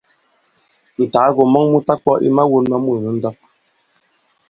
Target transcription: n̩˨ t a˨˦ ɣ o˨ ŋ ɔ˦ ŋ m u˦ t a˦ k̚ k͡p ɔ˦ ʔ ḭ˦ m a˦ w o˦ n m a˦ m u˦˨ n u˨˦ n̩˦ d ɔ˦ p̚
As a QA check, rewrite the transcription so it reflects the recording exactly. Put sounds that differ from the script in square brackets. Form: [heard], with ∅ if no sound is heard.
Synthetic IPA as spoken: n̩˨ t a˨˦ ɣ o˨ [m] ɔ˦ ŋ m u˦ t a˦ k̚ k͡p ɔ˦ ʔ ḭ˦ m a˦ w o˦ n m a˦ m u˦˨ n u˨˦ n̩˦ d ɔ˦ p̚